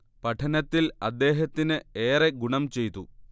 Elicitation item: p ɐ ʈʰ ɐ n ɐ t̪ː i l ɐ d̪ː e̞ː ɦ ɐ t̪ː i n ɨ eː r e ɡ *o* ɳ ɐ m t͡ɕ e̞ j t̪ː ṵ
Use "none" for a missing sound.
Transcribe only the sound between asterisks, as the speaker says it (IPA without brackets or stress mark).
u